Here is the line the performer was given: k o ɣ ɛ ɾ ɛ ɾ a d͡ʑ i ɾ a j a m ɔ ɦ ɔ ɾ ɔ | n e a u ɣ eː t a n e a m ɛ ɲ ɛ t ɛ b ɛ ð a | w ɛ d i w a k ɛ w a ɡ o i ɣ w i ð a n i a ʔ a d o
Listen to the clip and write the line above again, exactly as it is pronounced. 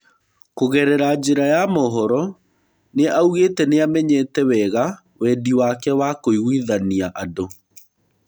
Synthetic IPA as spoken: k o ɣ ɛ ɾ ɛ ɾ a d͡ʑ e ɾ a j a m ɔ ɦ ɔ ɾ ɔ | n e a u ɣ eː t ɛ n e a m ɛ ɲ ɛ t ɛ w ɛ ɣ a | w ɛ d i w a k ɛ w a k o i ɣ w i ð a n i a ʔ a d o